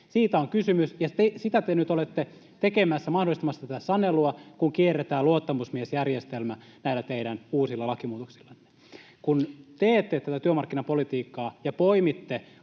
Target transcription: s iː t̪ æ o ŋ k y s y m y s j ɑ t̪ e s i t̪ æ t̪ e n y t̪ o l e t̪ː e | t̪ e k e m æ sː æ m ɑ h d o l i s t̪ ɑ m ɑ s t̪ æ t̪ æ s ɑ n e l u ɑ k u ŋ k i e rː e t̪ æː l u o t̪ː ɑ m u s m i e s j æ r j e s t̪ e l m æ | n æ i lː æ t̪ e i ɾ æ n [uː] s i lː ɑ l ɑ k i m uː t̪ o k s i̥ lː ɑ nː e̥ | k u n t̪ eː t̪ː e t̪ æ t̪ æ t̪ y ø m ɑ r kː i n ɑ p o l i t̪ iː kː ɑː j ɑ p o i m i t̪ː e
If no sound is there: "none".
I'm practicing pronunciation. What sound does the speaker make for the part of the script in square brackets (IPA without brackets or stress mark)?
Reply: uː